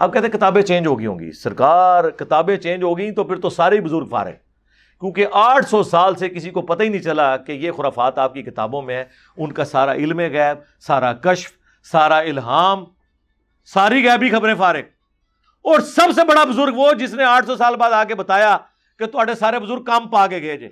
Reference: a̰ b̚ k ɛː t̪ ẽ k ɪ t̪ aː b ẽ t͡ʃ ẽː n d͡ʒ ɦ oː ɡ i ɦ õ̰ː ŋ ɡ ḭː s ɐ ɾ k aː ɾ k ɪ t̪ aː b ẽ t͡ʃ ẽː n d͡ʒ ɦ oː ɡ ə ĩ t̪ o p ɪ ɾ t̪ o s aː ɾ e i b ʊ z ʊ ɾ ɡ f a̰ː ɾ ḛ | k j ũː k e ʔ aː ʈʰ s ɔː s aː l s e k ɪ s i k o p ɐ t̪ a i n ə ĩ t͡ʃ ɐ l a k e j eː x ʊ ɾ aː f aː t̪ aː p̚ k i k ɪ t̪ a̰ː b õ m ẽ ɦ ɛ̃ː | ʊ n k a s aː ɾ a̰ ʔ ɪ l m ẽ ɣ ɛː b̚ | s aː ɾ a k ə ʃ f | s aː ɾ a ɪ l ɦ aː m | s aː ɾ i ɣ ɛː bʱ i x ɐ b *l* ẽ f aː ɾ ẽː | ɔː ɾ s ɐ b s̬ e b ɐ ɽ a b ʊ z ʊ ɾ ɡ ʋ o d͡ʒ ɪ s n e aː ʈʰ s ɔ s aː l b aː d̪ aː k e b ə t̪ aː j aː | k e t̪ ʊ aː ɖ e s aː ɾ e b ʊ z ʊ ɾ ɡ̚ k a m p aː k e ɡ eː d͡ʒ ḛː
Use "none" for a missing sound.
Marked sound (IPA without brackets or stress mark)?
ɾ